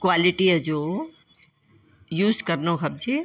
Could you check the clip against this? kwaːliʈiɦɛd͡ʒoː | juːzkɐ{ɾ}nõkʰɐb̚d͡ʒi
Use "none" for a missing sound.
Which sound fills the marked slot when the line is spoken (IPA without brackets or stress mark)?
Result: ɾ